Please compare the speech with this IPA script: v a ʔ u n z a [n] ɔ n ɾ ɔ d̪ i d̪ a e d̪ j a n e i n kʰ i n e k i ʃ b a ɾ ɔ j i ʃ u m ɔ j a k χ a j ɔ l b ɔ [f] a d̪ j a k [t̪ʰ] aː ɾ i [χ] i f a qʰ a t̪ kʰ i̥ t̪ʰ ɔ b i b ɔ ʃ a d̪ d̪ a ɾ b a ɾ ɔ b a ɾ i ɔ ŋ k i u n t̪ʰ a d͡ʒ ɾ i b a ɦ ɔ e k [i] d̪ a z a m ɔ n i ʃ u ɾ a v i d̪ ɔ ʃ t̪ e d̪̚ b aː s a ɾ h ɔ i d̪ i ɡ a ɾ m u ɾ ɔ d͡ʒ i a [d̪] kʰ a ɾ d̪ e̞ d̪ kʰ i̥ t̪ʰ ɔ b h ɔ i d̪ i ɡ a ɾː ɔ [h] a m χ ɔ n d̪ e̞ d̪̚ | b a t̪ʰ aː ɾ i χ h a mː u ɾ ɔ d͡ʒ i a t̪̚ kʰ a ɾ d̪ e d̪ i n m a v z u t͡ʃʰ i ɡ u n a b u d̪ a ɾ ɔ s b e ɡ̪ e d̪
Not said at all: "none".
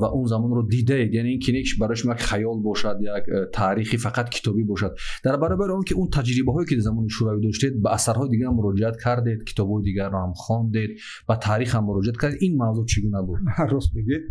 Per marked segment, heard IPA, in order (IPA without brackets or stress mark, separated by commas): m, ʃ, t̪ʰ, χ, i, t̪, h